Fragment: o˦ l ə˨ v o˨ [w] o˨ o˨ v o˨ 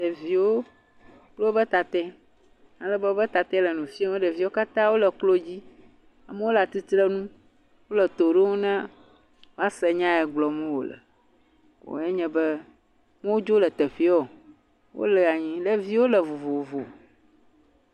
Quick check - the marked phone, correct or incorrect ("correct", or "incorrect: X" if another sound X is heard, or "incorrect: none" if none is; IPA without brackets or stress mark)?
incorrect: v